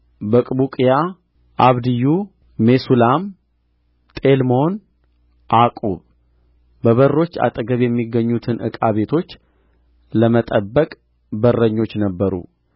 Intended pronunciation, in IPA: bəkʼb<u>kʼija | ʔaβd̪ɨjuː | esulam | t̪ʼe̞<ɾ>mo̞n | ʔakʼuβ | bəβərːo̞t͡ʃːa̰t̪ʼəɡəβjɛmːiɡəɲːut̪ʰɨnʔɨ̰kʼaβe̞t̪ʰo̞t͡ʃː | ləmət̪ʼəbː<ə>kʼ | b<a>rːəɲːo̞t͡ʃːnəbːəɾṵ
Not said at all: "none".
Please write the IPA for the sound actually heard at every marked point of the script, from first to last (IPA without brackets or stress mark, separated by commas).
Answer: u, l, ə, ə